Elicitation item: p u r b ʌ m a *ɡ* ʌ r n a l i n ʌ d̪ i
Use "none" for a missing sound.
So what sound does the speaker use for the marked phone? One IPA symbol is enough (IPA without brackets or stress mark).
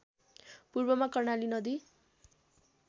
k